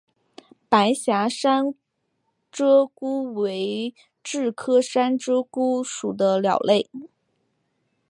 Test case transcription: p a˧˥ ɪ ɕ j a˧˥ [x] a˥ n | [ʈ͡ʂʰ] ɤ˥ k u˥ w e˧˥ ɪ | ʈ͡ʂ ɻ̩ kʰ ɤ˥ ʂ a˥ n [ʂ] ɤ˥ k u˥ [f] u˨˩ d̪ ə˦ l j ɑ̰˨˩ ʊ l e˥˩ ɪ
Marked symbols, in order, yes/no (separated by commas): no, no, no, no